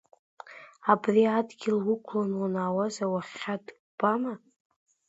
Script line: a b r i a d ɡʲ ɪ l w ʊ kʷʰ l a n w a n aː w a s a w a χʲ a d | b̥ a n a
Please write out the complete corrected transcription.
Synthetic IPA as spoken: a b r i a d ɡʲ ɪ l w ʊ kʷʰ l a n w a n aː w a z a w a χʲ a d | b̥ a m a